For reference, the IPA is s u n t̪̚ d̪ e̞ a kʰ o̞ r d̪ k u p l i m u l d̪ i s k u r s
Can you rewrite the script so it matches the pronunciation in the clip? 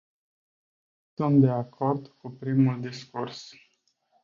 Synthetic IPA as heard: s u n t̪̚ d̪ e̞ a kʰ o̞ r d̪ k u p ɾ i m u l d̪ i s k u r s